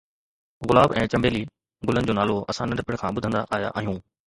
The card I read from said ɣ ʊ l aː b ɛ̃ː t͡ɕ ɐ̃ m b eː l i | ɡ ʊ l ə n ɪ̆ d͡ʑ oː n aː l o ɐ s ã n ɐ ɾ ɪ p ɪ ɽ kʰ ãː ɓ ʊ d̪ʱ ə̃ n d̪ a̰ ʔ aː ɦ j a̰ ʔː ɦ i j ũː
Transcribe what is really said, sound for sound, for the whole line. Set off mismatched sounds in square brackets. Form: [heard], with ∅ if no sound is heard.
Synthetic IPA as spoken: ɣ ʊ l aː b ɛ̃ː t͡ɕ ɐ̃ m b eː l i | ɡ ʊ l ə n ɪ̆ d͡ʑ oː n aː l o ɐ s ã n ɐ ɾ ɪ p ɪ ɽ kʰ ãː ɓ ʊ d̪ʱ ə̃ n d̪ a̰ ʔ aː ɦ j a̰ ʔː ɦ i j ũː